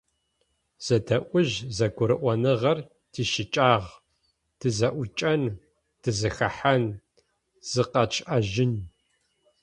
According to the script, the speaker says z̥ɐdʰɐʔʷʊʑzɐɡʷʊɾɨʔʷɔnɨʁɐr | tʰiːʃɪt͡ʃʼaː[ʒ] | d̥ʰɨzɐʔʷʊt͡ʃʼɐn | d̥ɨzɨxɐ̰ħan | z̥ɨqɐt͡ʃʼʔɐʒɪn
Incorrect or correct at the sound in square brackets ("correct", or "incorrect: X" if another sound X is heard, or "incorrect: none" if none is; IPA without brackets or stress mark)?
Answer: incorrect: ʁ